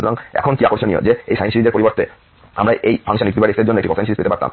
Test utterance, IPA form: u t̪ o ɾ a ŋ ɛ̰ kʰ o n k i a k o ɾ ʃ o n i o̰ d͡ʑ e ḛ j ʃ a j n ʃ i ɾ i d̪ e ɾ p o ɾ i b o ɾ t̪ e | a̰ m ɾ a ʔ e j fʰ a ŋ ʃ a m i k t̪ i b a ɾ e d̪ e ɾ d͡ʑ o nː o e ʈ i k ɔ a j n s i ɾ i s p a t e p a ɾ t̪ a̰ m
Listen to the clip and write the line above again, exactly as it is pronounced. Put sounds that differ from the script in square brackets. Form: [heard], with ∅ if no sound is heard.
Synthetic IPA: u t̪ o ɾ a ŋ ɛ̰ kʰ o n k i a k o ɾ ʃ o n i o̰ d͡ʑ e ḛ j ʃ a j n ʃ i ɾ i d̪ e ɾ p o ɾ i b o ɾ t̪ e | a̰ m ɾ a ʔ e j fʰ a ŋ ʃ a [n] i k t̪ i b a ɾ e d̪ e ɾ d͡ʑ o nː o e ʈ i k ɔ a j n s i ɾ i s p [e] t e p a ɾ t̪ a̰ m

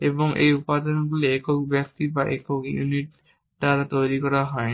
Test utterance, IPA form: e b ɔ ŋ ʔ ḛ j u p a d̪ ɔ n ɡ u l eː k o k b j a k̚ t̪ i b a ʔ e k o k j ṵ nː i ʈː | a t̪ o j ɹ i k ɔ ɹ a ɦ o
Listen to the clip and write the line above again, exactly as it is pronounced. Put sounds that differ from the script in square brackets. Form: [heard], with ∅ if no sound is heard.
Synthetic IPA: e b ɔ ŋ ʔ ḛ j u p a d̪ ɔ n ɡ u l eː k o k b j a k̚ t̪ i b a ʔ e k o k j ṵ [n] i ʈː | a t̪ o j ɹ i k ɔ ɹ a ɦ [ɔ]

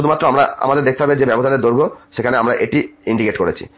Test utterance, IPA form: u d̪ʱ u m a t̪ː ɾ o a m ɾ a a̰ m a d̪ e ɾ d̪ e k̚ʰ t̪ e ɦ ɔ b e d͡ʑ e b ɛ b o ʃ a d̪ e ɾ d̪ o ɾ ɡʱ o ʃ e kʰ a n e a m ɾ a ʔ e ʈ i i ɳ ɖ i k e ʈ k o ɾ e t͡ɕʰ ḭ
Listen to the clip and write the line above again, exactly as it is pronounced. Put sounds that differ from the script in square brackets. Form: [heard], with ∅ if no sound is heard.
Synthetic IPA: u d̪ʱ u m a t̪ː ɾ o a m ɾ a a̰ m a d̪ e ɾ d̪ e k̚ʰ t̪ e ɦ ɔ b e d͡ʑ e b ɛ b o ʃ a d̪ e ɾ d̪ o ɾ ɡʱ o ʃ e kʰ a n e a m ɾ a ʔ e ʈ i i ɳ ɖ i k e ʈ k o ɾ e t͡ɕʰ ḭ

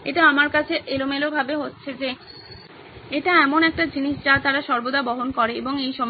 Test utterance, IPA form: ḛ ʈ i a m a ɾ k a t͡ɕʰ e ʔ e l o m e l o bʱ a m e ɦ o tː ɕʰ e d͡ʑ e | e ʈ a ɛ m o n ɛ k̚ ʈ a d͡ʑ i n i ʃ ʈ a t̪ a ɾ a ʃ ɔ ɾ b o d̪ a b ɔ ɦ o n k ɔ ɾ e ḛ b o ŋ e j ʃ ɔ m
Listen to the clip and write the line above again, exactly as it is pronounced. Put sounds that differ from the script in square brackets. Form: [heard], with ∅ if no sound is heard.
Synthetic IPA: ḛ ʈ [a] a m a ɾ k a t͡ɕʰ e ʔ e l o m e l o bʱ a [b] e ɦ o tː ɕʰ e d͡ʑ e | e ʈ a ɛ m o n ɛ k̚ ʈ a d͡ʑ i n i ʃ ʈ a t̪ a ɾ a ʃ ɔ ɾ b o d̪ a b ɔ ɦ o n k ɔ ɾ e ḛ b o ŋ e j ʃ ɔ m

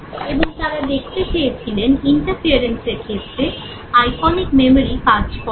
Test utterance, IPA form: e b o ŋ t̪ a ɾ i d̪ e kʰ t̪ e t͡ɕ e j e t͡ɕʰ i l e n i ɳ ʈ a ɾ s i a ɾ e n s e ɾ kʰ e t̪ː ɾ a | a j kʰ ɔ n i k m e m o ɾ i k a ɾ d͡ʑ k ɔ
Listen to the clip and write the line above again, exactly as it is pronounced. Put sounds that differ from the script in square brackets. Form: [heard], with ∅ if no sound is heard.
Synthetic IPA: e b o ŋ t̪ a ɾ [a] d̪ e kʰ t̪ e t͡ɕ e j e t͡ɕʰ i l e n i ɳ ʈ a ɾ [f] i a ɾ e n s e ɾ kʰ e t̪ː ɾ [e] | a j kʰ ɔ n i k m e m o ɾ i k a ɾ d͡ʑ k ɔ

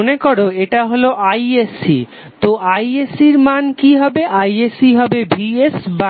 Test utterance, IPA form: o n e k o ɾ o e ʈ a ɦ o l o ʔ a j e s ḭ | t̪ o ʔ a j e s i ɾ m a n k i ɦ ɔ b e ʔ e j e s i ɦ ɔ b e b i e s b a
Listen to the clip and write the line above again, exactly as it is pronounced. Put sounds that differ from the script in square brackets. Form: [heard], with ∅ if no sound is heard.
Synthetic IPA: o n e k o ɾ o e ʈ a ɦ o l o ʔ a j e s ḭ | t̪ o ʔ a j e s i ɾ m a n k i ɦ ɔ b e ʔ [a] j e s i ɦ ɔ b e b i e s b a

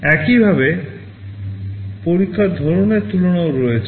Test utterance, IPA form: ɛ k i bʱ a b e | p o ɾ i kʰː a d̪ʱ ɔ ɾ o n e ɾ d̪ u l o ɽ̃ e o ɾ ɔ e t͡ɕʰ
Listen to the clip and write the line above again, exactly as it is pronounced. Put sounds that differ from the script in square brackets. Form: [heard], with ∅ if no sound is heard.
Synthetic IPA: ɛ k i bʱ a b e | p o ɾ i kʰː a d̪ʱ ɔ ɾ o n e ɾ [t̪] u l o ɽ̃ [a] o ɾ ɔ e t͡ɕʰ

